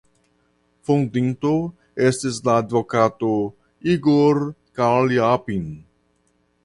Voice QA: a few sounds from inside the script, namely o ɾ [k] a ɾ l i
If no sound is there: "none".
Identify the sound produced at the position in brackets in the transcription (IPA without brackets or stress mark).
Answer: k